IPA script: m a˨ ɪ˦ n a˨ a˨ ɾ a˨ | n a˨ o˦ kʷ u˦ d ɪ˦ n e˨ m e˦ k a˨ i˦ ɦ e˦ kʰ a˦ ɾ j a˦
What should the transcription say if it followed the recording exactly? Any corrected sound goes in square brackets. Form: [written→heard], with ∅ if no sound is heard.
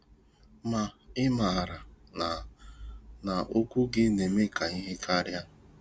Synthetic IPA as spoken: m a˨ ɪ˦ [n→m] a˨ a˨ ɾ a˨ | n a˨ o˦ kʷ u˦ [d→ɡ] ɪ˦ n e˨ m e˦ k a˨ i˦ ɦ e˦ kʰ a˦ ɾ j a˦